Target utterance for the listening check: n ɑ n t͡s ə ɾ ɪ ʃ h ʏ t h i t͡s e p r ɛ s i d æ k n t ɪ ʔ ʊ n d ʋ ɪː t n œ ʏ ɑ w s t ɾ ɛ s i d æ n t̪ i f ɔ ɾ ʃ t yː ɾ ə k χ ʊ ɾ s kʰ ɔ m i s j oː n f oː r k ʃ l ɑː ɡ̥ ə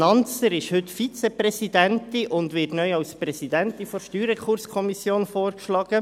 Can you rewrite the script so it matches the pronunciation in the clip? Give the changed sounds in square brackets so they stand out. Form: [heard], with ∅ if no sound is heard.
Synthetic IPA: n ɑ n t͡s ə ɾ ɪ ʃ h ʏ t [f] i t͡s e p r ɛ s i d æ [∅] n t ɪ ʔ ʊ n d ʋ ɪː t n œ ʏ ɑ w s [p] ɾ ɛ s i d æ n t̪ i f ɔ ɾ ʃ t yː ɾ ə k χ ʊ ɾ s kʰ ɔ m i s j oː n f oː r k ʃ l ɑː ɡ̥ ə